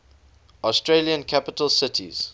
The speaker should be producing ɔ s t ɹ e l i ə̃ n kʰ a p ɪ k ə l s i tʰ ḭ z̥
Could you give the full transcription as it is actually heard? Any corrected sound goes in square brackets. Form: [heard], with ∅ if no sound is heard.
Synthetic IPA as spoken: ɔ s t ɹ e l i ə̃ n kʰ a p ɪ [t] ə l s [ɪ] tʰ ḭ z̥